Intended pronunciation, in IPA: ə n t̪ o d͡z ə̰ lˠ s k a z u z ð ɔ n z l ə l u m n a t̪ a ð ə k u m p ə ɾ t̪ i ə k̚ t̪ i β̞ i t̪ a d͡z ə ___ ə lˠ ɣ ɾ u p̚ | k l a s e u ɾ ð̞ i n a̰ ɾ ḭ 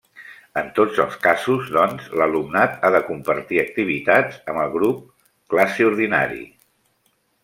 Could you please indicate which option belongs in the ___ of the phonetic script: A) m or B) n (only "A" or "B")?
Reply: A